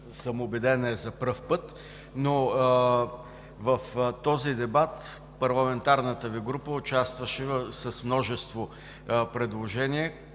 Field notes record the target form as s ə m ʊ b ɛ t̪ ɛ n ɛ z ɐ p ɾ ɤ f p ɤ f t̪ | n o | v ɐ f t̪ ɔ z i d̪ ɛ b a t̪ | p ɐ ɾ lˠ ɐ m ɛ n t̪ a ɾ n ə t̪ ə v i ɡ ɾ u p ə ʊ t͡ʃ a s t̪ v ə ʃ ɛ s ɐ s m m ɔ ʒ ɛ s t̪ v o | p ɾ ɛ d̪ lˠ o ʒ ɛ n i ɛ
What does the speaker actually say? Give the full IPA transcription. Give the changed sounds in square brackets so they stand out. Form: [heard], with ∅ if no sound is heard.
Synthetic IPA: s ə m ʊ b ɛ [d̪] ɛ n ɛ z ɐ p ɾ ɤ f p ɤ [∅] t̪ | n o | v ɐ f t̪ ɔ z i d̪ ɛ b a t̪ | p ɐ ɾ lˠ ɐ m ɛ n t̪ a ɾ n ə t̪ ə v i ɡ ɾ u p ə ʊ t͡ʃ a s t̪ v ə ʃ ɛ s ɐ s m [n] ɔ ʒ ɛ s t̪ v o | p ɾ ɛ d̪ lˠ o ʒ ɛ n i ɛ